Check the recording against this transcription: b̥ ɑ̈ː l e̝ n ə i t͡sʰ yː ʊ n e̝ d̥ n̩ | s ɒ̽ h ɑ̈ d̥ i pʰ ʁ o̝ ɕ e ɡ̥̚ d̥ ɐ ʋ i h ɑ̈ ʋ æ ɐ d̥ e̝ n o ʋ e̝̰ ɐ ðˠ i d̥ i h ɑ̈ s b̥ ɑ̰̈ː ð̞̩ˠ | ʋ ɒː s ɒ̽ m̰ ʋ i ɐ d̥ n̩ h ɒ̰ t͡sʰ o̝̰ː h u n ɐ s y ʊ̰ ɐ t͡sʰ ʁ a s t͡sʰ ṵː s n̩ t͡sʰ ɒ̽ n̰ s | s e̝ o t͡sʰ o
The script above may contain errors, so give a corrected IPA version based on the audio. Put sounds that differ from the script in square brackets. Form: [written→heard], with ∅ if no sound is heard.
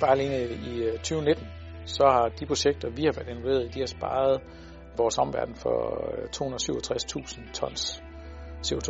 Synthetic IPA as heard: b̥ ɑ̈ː l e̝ n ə i t͡sʰ yː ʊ n e̝ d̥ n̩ | s ɒ̽ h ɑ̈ d̥ i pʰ ʁ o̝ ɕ e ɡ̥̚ d̥ ɐ ʋ i h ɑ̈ ʋ æ ɐ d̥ e̝ n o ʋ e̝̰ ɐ ðˠ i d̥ i h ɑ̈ s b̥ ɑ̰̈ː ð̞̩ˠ | ʋ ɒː s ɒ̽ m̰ ʋ [i→æ] ɐ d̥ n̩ [h→f] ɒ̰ t͡sʰ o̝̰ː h u n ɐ s y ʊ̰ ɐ t͡sʰ ʁ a s t͡sʰ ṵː s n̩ t͡sʰ ɒ̽ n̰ s | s e̝ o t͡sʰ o